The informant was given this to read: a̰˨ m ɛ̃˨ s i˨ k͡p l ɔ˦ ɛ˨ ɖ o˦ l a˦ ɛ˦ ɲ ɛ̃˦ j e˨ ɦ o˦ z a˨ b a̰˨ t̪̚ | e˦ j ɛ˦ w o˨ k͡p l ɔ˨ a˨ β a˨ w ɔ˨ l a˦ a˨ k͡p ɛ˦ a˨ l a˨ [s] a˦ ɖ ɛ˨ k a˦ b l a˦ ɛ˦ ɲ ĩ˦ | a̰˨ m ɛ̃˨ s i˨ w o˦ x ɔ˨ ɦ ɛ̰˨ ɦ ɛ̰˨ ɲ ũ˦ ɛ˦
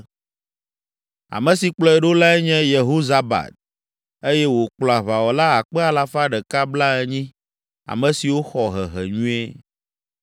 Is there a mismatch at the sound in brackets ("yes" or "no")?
yes